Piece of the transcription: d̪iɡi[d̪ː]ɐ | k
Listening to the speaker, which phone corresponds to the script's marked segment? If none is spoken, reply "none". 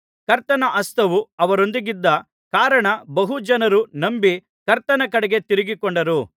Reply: d̪ː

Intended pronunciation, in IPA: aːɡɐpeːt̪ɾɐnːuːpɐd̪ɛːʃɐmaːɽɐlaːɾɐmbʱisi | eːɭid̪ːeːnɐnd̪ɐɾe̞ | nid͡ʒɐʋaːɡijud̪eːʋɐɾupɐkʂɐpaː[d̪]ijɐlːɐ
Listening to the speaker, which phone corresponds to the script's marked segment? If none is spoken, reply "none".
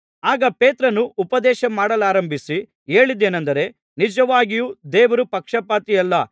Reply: t̪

